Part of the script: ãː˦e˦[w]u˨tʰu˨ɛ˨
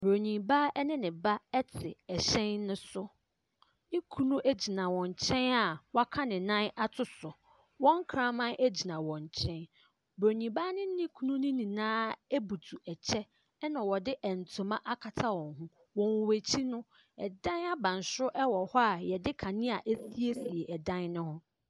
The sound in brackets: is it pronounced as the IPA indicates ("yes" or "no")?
no